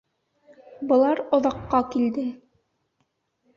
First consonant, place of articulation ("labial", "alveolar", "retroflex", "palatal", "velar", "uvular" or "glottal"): labial